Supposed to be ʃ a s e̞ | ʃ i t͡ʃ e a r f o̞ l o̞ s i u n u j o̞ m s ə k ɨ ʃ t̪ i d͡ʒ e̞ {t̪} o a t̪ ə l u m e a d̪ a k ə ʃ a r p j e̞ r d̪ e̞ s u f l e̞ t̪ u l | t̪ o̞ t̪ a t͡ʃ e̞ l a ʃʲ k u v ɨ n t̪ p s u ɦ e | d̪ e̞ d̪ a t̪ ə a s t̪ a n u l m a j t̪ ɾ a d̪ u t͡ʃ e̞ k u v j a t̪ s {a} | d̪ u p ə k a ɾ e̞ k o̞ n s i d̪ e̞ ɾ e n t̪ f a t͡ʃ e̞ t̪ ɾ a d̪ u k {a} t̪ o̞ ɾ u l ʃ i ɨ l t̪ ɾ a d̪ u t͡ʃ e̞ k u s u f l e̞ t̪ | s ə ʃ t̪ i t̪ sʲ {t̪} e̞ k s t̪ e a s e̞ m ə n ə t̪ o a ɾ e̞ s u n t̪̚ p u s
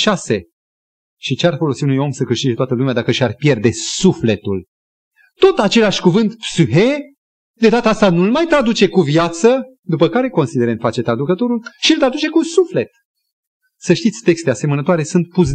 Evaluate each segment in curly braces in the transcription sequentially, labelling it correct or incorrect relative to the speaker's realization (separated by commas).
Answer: correct, incorrect, incorrect, correct